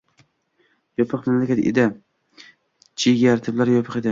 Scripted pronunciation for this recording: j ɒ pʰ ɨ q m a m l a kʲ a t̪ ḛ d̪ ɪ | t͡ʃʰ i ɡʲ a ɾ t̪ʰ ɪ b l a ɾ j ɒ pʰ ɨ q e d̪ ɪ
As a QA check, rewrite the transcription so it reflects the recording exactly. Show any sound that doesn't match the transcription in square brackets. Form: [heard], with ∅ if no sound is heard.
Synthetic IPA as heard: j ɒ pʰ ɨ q m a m l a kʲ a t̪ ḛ d̪ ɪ | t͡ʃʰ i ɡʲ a ɾ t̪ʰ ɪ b l a ɾ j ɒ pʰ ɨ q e d̪ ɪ